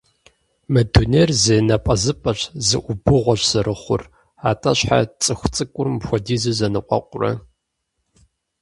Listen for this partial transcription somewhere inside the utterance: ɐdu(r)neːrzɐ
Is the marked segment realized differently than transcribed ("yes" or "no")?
yes